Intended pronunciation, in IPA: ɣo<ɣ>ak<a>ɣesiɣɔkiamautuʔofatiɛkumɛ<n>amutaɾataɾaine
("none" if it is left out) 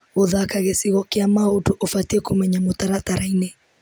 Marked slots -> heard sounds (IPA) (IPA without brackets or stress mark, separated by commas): ð, a, ɲ